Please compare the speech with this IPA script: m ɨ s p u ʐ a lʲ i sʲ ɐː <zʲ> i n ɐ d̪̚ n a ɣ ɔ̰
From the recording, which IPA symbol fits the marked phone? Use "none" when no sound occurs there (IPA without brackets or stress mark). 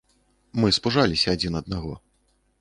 d͡zʲ